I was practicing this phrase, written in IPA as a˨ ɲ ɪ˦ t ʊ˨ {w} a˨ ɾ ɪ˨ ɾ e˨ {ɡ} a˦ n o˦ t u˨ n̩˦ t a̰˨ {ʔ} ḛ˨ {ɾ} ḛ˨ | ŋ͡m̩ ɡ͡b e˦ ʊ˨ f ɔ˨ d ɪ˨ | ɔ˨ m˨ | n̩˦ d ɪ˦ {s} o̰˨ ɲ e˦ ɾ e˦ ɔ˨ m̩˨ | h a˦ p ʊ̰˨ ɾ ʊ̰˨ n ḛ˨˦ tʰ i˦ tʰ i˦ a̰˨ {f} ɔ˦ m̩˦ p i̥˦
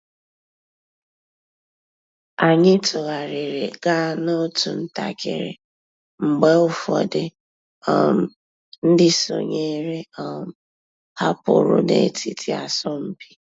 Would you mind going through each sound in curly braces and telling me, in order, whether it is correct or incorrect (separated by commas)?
incorrect, correct, incorrect, correct, correct, incorrect